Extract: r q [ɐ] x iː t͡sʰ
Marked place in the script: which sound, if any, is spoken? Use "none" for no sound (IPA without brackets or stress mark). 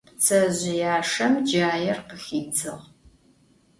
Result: ə